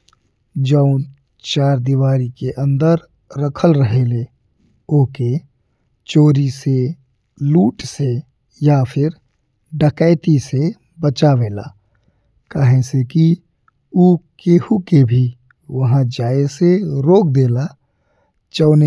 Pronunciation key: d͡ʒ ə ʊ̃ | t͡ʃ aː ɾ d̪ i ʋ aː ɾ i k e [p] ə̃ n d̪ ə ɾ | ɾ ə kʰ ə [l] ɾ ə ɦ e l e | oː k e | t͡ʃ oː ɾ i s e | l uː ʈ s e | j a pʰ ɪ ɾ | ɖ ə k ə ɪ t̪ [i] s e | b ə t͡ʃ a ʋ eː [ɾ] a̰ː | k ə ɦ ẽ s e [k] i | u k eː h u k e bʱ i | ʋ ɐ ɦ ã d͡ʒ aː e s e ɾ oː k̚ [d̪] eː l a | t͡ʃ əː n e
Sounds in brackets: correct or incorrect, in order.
incorrect: ʔ, correct, correct, incorrect: l, correct, correct

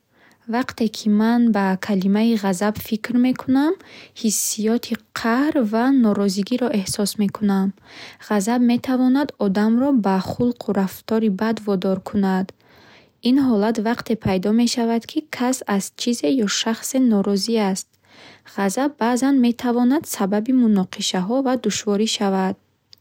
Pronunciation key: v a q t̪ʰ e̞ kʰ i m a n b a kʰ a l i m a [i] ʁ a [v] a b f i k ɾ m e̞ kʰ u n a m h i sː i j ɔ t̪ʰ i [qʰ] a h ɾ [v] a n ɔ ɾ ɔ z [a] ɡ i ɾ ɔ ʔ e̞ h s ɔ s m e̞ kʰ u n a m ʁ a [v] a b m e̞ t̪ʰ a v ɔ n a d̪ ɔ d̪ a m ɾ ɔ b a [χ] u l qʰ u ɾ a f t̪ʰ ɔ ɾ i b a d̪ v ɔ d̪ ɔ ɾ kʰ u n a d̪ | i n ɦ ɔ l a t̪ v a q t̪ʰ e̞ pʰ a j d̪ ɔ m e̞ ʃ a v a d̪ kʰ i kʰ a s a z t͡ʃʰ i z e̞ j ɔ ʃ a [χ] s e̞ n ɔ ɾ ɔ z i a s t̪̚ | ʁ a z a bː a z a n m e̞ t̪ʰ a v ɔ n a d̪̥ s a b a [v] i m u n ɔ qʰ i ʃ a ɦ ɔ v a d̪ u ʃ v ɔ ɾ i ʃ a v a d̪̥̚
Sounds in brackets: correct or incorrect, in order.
correct, incorrect: z, correct, correct, incorrect: i, incorrect: z, correct, correct, incorrect: b

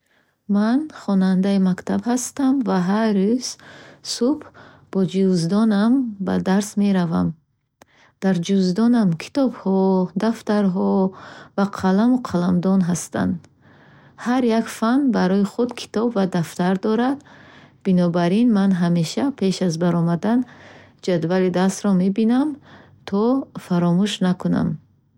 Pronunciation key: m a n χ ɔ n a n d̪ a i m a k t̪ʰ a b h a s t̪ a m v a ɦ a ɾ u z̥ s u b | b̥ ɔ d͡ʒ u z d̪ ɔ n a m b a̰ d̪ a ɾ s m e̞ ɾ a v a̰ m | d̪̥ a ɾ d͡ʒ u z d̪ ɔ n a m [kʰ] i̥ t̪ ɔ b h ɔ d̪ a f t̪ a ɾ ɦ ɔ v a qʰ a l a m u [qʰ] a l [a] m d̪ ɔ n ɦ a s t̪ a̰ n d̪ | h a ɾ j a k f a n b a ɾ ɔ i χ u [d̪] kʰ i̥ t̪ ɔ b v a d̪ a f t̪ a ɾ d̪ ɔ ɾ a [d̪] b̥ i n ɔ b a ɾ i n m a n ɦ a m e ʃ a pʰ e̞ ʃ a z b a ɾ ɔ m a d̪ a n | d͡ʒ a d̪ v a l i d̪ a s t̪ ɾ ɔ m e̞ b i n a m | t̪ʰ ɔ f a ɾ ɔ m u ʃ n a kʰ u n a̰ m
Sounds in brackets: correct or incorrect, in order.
correct, correct, correct, correct, correct

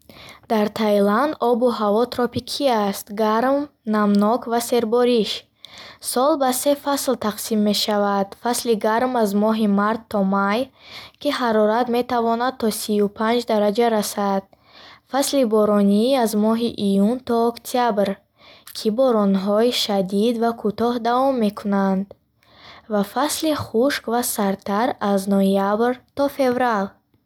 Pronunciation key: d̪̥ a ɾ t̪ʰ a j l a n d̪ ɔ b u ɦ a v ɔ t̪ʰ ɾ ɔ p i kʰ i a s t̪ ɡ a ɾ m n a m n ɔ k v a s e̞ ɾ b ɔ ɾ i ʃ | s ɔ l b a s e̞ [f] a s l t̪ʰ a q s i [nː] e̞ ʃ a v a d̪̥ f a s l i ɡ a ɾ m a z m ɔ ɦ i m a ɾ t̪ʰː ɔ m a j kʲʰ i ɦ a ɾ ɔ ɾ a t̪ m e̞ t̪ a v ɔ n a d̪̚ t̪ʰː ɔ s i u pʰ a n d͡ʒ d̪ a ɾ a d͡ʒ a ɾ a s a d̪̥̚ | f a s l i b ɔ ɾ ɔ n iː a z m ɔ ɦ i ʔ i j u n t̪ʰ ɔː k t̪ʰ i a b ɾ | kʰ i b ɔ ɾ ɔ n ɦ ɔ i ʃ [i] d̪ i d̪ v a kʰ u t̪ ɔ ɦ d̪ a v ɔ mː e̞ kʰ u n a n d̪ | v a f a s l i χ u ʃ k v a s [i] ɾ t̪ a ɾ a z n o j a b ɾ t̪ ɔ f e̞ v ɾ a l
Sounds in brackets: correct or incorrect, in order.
correct, incorrect: mː, incorrect: a, incorrect: a

